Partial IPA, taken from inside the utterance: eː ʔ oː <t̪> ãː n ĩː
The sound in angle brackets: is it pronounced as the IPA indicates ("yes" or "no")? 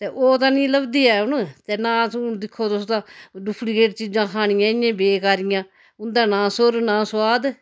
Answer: yes